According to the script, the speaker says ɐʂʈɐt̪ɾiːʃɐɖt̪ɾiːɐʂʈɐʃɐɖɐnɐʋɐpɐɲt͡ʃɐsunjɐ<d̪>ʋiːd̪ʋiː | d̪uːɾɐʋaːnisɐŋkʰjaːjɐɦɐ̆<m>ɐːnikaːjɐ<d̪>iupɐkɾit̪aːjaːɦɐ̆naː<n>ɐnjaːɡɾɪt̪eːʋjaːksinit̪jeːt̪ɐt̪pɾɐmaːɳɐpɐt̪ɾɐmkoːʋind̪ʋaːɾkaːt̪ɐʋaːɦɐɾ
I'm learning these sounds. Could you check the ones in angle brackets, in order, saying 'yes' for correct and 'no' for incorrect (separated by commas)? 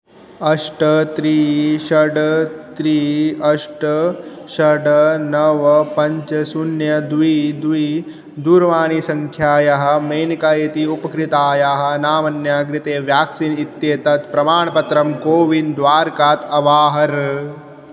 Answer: yes, yes, no, no